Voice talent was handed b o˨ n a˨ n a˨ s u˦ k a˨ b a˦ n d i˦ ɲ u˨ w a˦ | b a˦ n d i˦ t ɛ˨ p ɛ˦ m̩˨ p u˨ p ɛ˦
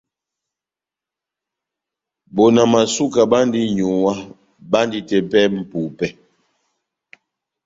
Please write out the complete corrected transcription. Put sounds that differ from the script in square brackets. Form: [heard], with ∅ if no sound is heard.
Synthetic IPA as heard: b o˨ n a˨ [m] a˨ s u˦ k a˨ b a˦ n d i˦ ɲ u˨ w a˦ | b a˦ n d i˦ t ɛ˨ p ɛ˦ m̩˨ p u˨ p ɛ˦